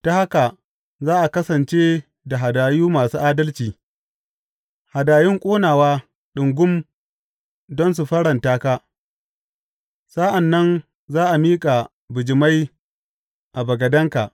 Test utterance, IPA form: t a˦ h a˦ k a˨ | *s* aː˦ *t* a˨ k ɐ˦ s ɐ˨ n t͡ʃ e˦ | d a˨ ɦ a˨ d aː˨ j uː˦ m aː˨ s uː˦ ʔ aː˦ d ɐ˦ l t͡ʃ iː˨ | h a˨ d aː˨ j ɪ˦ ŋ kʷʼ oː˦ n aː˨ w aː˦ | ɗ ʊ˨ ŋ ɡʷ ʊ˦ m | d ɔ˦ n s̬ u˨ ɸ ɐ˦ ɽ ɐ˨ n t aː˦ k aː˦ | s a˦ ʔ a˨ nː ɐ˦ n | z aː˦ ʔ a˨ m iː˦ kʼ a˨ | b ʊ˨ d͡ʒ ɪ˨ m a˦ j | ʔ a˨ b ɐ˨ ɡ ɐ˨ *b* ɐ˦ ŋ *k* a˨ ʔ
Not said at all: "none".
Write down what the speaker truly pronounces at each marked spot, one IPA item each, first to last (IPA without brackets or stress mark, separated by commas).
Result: z, ʔ, d, k